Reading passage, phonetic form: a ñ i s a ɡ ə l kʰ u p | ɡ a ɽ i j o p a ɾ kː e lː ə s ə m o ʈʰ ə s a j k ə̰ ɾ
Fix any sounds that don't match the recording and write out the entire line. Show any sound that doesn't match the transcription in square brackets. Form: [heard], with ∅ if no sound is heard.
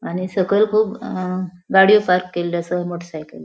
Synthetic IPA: a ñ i s [ə] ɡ ə l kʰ [uː] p | ɡ a ɽ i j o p a ɾ kː e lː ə s ə m o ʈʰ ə s a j k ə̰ [l]